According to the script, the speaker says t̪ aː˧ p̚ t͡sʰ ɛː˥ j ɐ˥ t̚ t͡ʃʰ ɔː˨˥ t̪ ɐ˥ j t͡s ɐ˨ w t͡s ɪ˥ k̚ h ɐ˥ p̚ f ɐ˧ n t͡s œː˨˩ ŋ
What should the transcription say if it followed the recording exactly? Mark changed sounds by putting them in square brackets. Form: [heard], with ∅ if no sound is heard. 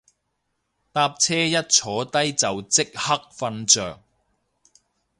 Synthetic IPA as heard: t̪ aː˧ p̚ t͡sʰ ɛː˥ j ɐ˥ t̚ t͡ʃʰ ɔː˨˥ t̪ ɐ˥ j t͡s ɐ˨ w t͡s ɪ˥ k̚ h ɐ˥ [k̚] f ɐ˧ n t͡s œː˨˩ ŋ